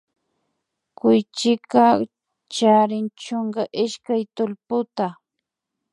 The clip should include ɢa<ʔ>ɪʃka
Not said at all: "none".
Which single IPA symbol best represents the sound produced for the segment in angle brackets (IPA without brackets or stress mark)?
ʔ